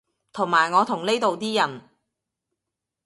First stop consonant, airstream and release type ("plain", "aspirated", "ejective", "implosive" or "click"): aspirated